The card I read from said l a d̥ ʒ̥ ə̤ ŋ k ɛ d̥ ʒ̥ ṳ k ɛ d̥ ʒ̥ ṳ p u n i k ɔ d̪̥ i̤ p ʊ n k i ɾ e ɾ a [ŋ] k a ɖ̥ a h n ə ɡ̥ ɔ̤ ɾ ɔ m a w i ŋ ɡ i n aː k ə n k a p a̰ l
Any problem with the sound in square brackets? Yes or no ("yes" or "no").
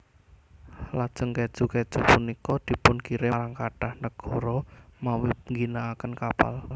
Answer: no